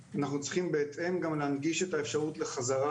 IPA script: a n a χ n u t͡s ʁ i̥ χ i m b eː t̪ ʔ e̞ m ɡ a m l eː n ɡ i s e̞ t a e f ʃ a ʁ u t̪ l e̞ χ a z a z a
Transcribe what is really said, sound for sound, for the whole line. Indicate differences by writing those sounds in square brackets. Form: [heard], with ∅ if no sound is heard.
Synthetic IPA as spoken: a n a χ n u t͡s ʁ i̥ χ i m b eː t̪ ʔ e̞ m ɡ a m l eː n ɡ i [ʃ] e̞ t a e f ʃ a ʁ u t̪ l e̞ χ a z a [ʁ] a